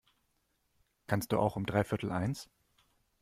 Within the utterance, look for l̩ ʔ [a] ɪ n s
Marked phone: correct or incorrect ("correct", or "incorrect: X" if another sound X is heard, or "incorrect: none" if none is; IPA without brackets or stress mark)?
correct